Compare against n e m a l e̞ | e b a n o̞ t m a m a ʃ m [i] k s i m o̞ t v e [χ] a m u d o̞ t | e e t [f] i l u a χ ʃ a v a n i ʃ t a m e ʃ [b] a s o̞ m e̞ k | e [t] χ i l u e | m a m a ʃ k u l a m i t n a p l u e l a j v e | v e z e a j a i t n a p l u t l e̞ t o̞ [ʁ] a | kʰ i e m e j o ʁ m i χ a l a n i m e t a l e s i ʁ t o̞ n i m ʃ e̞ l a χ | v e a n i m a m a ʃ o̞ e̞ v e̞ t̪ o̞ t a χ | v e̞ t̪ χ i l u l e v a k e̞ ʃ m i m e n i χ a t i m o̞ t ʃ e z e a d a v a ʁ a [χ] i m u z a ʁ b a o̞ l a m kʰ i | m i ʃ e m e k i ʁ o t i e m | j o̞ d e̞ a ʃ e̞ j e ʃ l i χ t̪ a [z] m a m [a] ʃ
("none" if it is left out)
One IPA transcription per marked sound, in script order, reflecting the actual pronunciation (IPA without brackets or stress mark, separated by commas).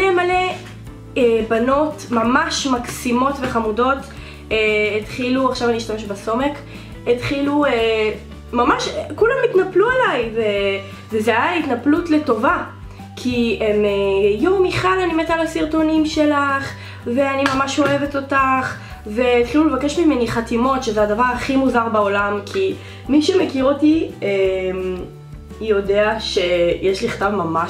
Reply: a, χ, χ, b, t, v, χ, v, a